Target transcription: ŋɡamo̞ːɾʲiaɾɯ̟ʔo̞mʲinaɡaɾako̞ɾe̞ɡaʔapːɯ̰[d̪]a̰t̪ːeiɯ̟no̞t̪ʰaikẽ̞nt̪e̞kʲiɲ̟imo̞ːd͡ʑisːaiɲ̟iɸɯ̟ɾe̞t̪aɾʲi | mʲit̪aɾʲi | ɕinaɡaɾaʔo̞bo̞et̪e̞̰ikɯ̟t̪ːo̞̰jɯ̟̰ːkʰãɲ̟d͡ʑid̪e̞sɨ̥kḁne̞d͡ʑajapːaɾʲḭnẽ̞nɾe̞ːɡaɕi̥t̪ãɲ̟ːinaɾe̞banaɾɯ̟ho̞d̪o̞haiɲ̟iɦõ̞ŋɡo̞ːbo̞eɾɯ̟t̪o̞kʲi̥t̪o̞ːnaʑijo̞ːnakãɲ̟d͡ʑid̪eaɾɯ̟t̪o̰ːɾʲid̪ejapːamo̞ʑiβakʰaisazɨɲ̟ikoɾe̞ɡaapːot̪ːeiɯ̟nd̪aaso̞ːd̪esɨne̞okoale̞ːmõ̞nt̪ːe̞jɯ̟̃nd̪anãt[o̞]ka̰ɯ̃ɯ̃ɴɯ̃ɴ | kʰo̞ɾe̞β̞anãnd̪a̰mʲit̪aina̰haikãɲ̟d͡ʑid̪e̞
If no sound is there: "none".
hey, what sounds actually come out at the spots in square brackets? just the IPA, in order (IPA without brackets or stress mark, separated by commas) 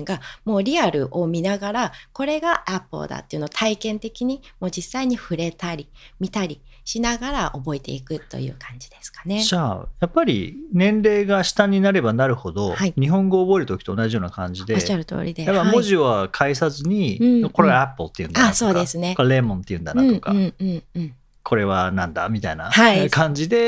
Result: d̪, o̞